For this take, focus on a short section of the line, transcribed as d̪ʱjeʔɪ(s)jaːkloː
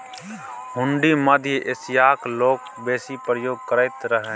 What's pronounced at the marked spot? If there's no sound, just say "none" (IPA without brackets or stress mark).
s